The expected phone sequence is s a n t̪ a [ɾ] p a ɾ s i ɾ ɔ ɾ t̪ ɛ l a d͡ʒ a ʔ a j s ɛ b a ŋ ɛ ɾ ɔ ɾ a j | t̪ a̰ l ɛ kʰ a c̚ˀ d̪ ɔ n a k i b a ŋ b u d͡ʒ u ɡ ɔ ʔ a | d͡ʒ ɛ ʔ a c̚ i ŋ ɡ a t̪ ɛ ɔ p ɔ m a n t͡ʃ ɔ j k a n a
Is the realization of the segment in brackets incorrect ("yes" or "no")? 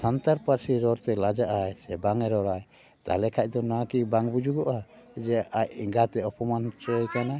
no